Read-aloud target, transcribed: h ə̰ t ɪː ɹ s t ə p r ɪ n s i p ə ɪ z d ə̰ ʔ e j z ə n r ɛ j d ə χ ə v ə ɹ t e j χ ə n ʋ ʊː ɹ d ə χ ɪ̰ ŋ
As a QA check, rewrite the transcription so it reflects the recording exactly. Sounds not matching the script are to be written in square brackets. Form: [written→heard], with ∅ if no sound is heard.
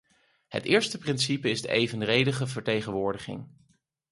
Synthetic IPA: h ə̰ t ɪː ɹ s t ə p r ɪ n s i p ə ɪ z d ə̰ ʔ e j [z→v] ə n r [ɛ→e] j d ə χ ə v ə ɹ t e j χ ə n ʋ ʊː ɹ d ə χ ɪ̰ ŋ

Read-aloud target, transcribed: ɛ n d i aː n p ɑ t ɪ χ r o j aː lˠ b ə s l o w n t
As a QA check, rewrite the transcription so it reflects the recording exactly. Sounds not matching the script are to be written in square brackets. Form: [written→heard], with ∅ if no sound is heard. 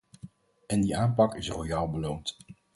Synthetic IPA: ɛ n d i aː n p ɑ [t→k] ɪ [χ→s] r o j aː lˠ b ə [s→∅] l o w n t

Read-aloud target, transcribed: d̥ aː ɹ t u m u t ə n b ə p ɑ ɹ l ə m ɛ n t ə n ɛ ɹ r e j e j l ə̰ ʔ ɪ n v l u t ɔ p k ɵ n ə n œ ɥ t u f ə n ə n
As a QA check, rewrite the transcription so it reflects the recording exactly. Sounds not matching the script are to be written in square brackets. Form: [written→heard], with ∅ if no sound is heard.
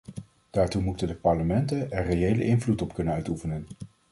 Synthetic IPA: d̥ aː ɹ t u m u t ə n [b→d] ə p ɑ ɹ l ə m ɛ n t ə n ɛ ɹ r e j e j l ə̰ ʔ ɪ n v l u t ɔ p k ɵ n ə n œ ɥ t u f ə n ə n

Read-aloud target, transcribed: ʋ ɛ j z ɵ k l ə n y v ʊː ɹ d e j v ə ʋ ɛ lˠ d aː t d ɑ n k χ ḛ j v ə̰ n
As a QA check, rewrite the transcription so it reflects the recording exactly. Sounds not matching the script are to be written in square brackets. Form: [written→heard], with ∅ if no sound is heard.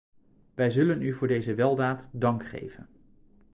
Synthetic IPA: ʋ ɛ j z ɵ [k→∅] l ə n y v ʊː ɹ d e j [v→z] ə ʋ ɛ lˠ d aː t d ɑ [n→ŋ] k χ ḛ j v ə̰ n

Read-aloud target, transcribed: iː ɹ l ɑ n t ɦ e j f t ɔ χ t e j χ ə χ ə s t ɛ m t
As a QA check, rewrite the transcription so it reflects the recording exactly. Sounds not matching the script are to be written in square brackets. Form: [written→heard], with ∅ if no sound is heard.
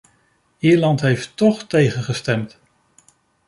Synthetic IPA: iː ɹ l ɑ n t ɦ e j f t ɔ χ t e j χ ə χ ə s t ɛ m t

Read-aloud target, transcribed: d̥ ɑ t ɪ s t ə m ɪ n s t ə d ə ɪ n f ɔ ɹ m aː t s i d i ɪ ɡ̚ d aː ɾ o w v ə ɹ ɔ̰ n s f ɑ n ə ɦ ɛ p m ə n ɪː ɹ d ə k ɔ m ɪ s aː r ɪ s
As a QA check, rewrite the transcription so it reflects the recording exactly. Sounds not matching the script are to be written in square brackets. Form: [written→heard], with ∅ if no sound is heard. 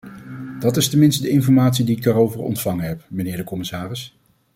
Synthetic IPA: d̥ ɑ t ɪ s t ə m ɪ n s t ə d ə ɪ n f ɔ ɹ m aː t s i d i ɪ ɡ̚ d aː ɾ o w v ə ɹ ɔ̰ n [s→t] f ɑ [n→ŋ] ə ɦ ɛ p m ə n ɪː ɹ d ə k ɔ m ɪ s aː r ɪ s

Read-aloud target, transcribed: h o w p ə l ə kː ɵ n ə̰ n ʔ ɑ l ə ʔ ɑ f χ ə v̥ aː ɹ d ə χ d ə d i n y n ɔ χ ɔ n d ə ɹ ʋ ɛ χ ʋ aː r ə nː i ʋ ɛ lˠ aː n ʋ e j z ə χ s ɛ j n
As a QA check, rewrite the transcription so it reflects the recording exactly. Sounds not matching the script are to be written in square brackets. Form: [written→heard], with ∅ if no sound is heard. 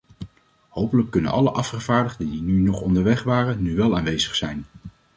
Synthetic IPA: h o w p ə l ə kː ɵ n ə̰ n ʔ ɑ l ə ʔ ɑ f χ ə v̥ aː ɹ d ə χ d ə d i n y n ɔ χ ɔ n d ə ɹ ʋ ɛ χ ʋ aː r ə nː [i→y] ʋ ɛ lˠ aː n ʋ e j z ə χ s ɛ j n

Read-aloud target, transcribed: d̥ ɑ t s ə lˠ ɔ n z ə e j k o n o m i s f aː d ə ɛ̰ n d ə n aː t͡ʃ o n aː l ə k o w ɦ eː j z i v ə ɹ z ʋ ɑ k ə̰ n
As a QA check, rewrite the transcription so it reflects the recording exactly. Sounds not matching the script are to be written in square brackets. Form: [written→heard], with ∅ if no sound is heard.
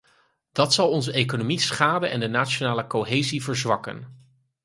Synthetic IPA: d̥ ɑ t s [ə→ɑ] lˠ ɔ n z ə e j k o n o m i s [f→χ] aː d ə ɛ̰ n d ə n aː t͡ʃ o n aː l ə k o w ɦ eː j z i v ə ɹ z ʋ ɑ k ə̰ n

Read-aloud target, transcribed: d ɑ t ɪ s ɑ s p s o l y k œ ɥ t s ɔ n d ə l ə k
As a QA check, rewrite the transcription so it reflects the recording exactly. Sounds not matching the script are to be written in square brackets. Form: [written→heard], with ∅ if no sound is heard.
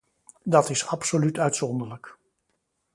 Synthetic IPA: d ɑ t ɪ s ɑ [s→∅] p s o l y [k→t] œ ɥ t s ɔ n d ə l ə k

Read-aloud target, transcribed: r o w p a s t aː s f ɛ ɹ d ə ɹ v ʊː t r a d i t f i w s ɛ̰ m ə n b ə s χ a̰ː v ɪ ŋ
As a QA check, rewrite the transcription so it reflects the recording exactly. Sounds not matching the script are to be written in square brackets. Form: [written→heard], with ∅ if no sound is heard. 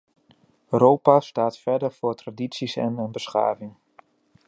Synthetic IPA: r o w p a s t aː [s→t] f ɛ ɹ d ə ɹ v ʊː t r a d i t [f→s] i [w→∅] s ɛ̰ [m→n] ə n b ə s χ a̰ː v ɪ ŋ

